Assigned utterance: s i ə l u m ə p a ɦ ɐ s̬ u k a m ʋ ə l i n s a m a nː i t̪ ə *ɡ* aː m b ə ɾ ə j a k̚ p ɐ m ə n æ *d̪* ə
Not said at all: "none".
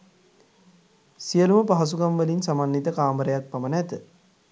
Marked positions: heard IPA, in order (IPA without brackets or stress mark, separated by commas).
k, t̪